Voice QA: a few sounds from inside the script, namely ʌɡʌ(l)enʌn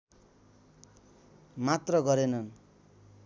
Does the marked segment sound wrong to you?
yes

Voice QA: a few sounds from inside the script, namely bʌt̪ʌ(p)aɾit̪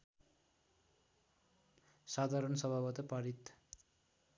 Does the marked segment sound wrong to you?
no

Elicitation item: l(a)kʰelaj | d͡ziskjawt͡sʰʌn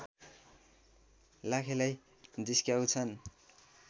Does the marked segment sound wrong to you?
no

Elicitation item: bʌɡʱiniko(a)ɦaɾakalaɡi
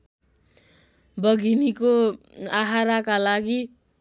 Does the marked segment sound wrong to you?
no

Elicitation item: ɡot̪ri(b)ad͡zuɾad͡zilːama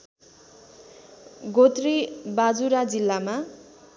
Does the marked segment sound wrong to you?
no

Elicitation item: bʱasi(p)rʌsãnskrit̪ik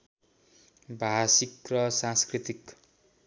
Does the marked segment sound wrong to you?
yes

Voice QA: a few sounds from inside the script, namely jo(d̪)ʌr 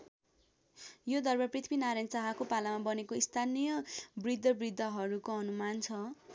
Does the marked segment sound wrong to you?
no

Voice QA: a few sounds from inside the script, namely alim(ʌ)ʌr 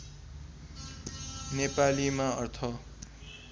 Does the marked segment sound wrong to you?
yes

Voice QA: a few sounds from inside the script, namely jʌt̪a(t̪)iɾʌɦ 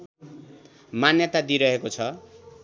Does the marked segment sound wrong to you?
yes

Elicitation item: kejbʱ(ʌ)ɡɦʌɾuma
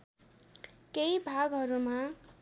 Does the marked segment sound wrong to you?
yes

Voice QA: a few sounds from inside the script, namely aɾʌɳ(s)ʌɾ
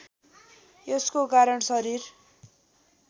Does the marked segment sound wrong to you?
no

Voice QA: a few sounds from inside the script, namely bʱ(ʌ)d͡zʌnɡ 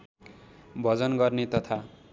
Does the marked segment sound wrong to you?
no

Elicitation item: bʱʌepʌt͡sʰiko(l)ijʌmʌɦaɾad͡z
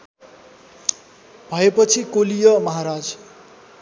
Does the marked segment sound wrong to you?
no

